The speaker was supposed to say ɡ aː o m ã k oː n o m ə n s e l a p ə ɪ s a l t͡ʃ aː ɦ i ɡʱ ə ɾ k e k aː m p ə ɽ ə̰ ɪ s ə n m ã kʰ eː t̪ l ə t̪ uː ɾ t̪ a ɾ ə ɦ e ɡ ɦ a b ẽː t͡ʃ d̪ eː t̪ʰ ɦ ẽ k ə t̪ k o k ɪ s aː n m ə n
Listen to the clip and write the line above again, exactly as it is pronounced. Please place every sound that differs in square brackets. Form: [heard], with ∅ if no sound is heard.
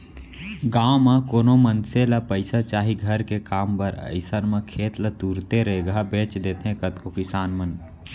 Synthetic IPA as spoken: ɡ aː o m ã k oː n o m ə n s e l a p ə ɪ s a [∅] t͡ʃ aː ɦ i ɡʱ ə ɾ k e k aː m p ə [ɾ] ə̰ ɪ s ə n m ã kʰ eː t̪ l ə t̪ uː ɾ t̪ [e] ɾ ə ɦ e ɡ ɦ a b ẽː t͡ʃ d̪ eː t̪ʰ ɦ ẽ k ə t̪ k o k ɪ s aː n m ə n